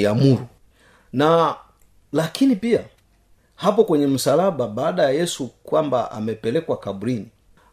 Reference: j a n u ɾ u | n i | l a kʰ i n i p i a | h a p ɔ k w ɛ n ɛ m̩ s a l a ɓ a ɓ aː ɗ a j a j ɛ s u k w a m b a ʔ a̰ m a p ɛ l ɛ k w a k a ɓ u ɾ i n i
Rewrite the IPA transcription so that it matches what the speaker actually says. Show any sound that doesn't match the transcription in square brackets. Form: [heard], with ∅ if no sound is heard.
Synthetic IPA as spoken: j a [m] u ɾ u | n [a] | l a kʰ i n i p i a | h a p ɔ k w ɛ [ɲ] ɛ m̩ s a l a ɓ a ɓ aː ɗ a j a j ɛ s u k w a m b a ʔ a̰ m [ɛ] p ɛ l ɛ k w a k a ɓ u ɾ i n i